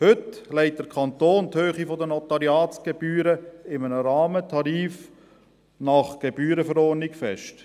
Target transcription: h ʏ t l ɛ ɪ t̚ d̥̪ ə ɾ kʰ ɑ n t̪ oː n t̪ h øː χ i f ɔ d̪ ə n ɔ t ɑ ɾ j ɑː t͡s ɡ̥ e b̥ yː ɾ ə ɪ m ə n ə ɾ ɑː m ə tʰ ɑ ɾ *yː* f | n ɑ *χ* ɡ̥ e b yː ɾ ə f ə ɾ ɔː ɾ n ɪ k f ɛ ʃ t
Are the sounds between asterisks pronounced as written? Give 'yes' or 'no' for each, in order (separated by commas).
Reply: no, yes